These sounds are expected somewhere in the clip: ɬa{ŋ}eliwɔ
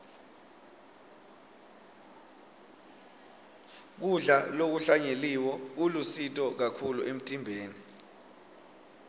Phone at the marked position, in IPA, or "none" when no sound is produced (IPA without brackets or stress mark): ɲ